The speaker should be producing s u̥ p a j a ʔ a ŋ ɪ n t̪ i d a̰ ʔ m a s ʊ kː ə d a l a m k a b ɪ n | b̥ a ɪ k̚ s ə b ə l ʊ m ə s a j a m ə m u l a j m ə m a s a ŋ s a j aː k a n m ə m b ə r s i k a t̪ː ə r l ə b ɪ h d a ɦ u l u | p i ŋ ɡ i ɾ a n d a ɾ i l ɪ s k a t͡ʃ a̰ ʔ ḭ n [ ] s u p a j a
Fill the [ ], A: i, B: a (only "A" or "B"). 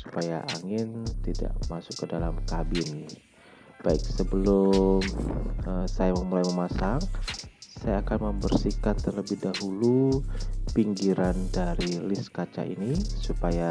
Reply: A